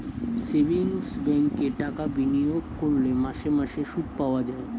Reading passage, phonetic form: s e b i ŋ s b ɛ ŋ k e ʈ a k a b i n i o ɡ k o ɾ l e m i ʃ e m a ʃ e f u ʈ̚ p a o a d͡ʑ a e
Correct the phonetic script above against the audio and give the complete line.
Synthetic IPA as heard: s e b i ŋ s b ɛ ŋ k e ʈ a k a b i n i o ɡ k o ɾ l e m a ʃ e m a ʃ e ʃ u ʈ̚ p a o a d͡ʑ a e